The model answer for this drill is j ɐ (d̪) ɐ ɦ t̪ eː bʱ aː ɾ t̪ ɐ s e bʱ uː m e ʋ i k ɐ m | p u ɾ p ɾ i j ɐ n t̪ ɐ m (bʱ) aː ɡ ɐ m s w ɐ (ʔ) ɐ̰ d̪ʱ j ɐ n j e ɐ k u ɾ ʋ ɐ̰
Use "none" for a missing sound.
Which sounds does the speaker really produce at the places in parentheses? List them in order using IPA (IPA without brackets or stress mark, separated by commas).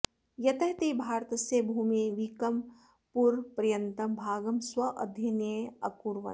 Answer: t̪, bʱ, ʔ